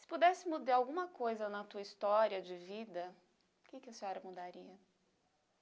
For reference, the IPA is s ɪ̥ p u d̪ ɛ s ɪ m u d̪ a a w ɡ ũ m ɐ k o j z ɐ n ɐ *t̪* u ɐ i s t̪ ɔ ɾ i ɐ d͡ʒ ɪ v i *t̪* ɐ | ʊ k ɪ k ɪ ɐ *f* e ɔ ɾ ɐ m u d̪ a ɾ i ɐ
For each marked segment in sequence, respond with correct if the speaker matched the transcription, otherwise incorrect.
correct, incorrect: d̪, incorrect: s

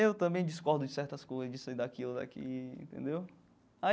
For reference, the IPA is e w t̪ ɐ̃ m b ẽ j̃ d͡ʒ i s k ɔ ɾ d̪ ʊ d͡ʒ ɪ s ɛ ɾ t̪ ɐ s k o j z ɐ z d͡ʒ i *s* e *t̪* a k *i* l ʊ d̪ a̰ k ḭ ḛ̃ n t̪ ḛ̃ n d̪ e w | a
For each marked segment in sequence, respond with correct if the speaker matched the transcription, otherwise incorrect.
correct, incorrect: d̪, correct

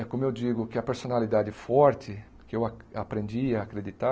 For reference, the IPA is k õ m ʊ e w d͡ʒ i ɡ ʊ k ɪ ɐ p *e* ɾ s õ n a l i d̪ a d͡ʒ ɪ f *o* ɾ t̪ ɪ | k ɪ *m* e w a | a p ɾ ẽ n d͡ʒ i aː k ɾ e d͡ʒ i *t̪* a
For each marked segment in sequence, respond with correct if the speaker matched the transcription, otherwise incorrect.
correct, incorrect: ɔ, incorrect: none, correct

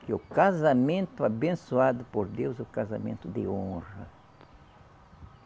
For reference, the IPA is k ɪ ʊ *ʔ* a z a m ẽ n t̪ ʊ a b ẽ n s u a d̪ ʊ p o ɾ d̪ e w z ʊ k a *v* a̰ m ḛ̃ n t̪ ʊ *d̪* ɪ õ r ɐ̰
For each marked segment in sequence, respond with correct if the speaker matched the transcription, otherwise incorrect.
incorrect: k, incorrect: z, correct

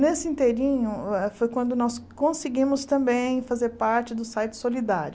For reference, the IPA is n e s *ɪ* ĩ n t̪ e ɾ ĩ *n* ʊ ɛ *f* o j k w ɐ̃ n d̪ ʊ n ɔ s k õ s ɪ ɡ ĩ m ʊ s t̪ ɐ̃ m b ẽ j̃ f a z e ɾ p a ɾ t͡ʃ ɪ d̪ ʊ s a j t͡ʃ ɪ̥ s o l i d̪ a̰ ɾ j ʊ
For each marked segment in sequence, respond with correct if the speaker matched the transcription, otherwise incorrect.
correct, incorrect: ɲ, correct

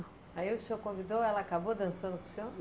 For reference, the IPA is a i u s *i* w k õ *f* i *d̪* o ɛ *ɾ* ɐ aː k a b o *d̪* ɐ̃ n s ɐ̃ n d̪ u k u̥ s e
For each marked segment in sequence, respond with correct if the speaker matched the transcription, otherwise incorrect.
incorrect: e, incorrect: v, correct, incorrect: l, correct

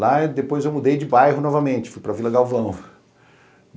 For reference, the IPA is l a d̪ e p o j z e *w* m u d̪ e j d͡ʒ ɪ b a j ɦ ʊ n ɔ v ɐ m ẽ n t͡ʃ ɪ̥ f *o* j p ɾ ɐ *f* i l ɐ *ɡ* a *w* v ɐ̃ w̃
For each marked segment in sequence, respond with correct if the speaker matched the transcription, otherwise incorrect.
correct, incorrect: u, incorrect: v, correct, correct

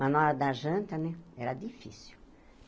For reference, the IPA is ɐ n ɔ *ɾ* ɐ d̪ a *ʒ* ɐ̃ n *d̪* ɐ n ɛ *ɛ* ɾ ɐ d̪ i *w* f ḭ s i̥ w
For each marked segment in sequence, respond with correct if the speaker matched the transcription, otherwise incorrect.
correct, correct, incorrect: t̪, correct, incorrect: none

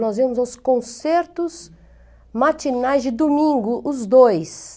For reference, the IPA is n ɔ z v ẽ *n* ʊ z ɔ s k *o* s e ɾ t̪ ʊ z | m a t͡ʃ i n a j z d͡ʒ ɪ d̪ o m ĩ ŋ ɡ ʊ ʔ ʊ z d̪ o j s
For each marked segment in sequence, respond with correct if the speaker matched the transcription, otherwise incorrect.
incorrect: m, incorrect: õ

